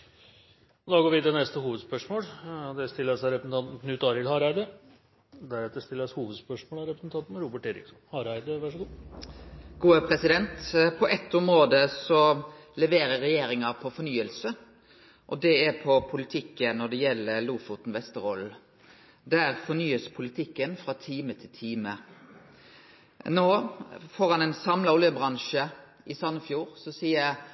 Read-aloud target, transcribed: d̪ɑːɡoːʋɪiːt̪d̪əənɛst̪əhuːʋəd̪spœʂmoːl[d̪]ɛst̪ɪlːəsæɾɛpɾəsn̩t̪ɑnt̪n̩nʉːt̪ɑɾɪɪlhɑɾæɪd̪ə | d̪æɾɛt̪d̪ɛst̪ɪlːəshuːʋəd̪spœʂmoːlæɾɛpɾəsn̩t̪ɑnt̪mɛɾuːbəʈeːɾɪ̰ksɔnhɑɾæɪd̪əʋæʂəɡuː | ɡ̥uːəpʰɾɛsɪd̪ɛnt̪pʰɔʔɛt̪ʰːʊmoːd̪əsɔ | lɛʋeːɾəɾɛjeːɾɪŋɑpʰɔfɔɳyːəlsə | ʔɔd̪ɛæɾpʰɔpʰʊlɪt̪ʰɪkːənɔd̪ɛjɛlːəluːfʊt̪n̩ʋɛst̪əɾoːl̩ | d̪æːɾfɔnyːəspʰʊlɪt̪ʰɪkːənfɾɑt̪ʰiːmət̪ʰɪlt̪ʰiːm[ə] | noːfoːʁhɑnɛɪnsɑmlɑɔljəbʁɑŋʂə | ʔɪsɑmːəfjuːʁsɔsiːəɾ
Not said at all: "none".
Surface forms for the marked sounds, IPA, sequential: d̪, ə

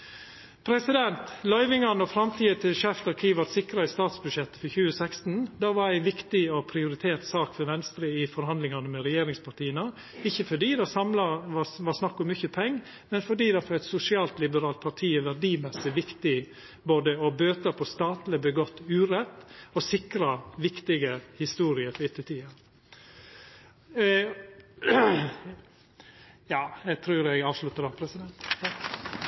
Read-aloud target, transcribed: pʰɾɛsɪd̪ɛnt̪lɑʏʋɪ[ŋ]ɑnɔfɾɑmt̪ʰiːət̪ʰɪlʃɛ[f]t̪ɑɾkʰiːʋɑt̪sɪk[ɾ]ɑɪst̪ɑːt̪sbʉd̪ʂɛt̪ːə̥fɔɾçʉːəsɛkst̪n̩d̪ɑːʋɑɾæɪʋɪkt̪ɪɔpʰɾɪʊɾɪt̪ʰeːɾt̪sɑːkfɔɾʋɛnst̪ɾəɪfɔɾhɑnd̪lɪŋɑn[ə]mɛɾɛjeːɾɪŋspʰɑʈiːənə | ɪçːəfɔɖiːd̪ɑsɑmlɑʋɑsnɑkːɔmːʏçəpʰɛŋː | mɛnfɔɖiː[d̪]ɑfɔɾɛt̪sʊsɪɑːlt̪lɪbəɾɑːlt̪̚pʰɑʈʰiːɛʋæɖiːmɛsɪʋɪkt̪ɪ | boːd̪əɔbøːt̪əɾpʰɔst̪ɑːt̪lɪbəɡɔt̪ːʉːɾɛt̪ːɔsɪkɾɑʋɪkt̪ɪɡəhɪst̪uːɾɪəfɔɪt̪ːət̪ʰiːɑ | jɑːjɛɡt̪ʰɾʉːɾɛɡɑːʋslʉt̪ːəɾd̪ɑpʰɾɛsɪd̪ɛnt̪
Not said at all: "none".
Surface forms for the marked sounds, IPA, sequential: ŋ, f, ɾ, ə, d̪

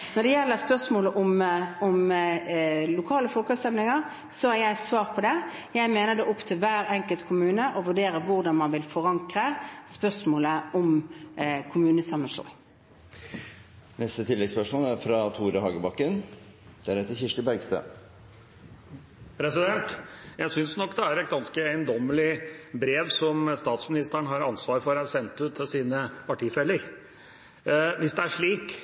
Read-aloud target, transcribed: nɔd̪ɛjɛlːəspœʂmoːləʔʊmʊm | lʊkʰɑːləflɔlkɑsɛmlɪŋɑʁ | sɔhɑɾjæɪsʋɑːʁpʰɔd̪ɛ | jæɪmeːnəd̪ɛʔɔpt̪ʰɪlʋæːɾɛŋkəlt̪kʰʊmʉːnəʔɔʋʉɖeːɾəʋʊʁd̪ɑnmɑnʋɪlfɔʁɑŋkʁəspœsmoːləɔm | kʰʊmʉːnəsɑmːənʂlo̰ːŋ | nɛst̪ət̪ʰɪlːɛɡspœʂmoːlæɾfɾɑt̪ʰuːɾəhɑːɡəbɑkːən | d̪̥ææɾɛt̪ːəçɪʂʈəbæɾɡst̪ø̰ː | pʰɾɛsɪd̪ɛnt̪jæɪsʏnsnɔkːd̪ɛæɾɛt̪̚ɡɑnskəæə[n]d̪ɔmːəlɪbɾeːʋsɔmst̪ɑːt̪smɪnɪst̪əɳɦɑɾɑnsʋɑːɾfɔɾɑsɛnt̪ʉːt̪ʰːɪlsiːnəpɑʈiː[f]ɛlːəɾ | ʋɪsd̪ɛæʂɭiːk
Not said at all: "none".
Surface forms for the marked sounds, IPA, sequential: n, f

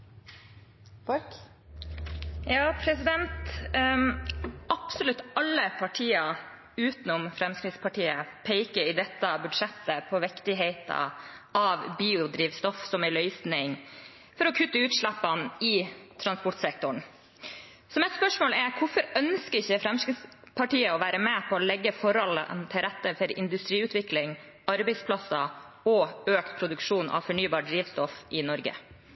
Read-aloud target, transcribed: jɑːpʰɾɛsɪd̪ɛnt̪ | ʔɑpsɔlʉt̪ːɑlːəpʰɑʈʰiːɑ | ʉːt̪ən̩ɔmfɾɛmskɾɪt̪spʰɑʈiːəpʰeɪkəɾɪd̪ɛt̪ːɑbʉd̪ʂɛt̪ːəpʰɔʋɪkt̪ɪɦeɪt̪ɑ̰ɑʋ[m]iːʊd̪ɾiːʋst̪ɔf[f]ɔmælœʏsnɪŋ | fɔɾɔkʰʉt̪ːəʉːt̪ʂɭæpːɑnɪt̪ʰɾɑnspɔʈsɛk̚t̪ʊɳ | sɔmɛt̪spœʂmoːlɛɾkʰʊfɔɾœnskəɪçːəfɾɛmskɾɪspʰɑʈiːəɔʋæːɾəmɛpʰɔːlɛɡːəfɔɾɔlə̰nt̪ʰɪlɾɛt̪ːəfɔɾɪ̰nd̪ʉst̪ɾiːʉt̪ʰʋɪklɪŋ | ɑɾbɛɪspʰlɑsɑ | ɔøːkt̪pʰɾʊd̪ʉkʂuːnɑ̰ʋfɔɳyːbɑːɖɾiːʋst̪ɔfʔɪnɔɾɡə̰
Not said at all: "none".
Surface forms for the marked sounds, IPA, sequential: b, s

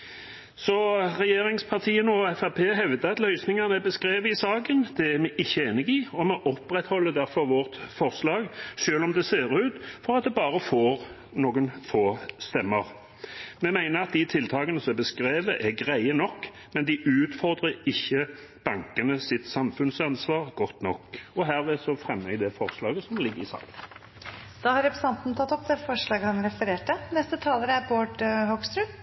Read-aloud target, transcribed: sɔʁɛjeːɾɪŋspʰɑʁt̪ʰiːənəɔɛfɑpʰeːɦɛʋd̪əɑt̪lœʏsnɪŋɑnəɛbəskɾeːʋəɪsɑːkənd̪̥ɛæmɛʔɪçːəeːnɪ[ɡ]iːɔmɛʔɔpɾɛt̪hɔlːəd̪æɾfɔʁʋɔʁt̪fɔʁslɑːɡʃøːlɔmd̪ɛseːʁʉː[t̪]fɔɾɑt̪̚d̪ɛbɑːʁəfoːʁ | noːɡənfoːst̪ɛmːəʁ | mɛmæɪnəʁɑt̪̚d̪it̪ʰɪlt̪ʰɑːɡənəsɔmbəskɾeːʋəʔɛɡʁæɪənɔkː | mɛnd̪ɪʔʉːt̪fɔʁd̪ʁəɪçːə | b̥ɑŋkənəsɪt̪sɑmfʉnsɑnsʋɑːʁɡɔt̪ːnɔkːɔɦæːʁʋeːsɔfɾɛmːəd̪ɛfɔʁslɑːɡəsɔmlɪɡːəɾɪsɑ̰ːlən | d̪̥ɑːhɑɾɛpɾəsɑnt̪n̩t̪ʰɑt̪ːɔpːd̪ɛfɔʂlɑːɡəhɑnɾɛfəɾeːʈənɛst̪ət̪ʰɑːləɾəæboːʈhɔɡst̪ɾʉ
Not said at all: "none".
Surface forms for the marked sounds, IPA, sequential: ɡ, t̪

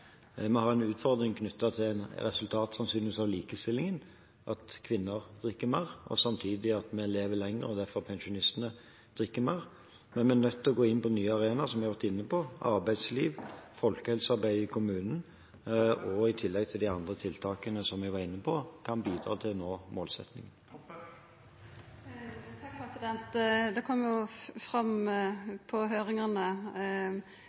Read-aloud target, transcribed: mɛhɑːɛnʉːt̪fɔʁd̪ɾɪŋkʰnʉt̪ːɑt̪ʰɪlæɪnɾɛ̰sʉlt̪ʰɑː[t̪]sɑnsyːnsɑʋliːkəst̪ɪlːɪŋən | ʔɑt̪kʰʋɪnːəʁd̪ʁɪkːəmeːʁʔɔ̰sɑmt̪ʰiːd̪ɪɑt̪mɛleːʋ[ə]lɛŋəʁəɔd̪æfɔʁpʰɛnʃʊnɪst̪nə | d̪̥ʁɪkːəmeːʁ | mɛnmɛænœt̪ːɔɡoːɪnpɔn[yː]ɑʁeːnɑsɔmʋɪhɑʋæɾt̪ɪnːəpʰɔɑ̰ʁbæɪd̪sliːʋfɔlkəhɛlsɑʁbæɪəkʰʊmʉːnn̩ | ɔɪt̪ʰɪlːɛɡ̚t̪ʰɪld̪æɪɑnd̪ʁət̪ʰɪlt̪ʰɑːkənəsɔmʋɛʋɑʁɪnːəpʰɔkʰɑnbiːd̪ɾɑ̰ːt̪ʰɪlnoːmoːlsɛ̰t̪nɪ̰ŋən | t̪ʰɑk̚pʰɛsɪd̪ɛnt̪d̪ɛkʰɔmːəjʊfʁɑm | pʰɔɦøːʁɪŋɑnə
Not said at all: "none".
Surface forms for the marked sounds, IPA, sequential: t̪, ə, yː

